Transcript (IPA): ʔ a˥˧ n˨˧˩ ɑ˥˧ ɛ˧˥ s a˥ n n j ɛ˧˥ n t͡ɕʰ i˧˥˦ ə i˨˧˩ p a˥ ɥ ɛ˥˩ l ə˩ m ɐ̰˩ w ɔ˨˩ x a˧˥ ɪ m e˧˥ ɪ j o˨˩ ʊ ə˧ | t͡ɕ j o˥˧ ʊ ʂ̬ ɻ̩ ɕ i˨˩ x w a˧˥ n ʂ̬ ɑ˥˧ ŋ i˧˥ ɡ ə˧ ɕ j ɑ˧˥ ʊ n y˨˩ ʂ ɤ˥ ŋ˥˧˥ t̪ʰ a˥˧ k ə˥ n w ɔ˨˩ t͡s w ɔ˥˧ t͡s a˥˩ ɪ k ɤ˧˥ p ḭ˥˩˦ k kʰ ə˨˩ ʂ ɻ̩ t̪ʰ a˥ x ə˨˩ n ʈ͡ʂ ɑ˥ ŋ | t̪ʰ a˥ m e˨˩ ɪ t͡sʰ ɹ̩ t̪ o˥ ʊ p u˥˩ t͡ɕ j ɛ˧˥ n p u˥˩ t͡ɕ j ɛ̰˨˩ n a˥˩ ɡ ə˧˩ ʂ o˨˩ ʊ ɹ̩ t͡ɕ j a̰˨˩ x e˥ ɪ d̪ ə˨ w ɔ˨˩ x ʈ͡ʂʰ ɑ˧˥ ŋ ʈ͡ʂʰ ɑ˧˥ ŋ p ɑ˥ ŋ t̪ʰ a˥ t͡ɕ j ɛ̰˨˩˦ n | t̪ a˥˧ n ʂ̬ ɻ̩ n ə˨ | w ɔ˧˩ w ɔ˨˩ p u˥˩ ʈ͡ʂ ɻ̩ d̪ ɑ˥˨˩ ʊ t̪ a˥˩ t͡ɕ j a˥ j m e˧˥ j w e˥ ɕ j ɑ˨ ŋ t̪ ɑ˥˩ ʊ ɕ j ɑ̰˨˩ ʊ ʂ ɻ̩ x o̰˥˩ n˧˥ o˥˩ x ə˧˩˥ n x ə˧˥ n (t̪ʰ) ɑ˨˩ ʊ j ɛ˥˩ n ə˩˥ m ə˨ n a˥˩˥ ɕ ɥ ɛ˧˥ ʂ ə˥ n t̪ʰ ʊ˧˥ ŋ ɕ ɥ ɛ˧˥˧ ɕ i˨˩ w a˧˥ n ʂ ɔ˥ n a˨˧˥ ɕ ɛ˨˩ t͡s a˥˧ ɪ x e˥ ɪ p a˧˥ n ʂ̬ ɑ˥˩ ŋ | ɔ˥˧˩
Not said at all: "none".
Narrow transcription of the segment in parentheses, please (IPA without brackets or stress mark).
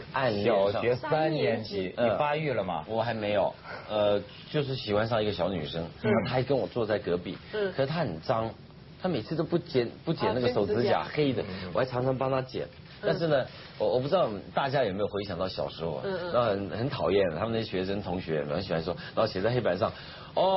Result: t̪ʰ